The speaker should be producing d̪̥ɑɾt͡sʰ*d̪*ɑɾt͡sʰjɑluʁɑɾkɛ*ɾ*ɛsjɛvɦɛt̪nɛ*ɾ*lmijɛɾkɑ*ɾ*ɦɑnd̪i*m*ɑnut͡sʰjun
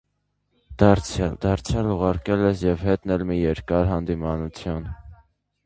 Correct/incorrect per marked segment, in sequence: correct, incorrect, incorrect, correct, correct

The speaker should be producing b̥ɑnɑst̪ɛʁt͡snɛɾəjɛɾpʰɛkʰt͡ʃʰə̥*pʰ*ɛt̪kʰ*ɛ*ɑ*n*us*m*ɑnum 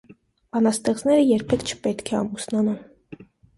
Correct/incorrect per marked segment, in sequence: incorrect, correct, incorrect, incorrect

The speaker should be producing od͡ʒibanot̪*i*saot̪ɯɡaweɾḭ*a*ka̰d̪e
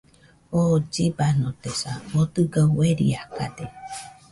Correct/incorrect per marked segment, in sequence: incorrect, correct

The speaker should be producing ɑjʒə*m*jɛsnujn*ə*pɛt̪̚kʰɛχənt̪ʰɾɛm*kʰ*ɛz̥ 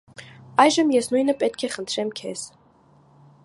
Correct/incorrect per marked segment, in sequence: correct, correct, correct

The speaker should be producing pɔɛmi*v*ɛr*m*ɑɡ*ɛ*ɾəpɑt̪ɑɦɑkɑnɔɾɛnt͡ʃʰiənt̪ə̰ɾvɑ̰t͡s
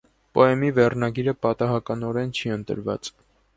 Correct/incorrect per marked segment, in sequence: correct, incorrect, incorrect

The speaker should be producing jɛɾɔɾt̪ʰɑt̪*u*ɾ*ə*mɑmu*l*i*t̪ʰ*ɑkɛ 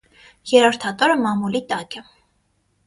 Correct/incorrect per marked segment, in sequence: incorrect, correct, correct, incorrect

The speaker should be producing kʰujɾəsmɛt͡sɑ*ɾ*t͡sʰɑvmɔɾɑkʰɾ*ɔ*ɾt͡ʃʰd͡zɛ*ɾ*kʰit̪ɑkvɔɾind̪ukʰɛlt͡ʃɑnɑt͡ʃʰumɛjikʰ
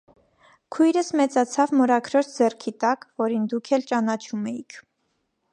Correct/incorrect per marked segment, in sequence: incorrect, correct, incorrect

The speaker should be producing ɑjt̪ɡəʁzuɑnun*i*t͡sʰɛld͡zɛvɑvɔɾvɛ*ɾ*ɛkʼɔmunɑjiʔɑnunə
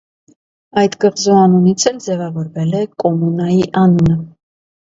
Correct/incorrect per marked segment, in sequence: correct, incorrect

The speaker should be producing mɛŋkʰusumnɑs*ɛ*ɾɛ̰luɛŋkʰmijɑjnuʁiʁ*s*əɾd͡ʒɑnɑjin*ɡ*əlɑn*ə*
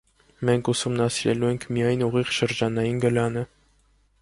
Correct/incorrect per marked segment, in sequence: incorrect, incorrect, correct, correct

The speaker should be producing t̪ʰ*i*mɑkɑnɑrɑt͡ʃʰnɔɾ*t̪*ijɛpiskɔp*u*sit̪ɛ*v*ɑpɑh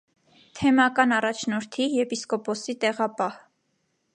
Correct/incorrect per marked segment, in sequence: incorrect, incorrect, incorrect, incorrect

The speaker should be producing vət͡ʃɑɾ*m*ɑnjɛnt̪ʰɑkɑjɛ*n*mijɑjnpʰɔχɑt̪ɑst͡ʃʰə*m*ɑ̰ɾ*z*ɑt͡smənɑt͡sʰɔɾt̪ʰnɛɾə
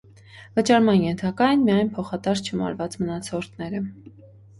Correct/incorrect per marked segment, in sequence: correct, correct, correct, incorrect

